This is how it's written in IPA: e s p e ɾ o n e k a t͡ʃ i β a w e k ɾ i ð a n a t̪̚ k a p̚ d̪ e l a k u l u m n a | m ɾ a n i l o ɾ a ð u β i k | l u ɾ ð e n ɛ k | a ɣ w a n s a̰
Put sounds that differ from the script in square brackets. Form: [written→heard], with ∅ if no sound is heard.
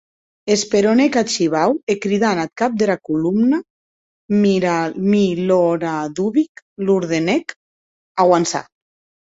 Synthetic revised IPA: e s p e ɾ o n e k a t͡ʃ i β a w e k ɾ i ð a n a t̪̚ k a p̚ d̪ e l a k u l u m n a | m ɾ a [n→m] i l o ɾ a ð u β i k | l u ɾ ð e n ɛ k | a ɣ w a n s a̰